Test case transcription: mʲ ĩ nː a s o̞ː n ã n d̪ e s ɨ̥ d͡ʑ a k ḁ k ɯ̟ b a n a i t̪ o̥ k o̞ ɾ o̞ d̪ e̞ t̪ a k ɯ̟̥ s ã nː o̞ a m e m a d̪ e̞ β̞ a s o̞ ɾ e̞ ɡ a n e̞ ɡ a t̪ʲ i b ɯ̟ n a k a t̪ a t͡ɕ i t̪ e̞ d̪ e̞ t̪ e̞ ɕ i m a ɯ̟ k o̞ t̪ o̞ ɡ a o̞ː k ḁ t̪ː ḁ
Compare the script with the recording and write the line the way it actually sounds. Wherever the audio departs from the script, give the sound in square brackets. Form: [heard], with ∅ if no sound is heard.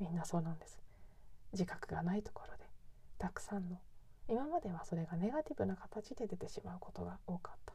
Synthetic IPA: mʲ ĩ nː a s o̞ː n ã n d̪ e s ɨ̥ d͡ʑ [i] k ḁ k ɯ̟ [ɡ] a n a i t̪ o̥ k o̞ ɾ o̞ d̪ e̞ t̪ a k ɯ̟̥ s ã nː o̞ [i] m [a] m a d̪ e̞ β̞ a s o̞ ɾ e̞ ɡ a n e̞ ɡ a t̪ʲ i b ɯ̟ n a k a t̪ a t͡ɕ i [d̪] e̞ d̪ e̞ t̪ e̞ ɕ i m a ɯ̟ k o̞ t̪ o̞ ɡ a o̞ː k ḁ t̪ː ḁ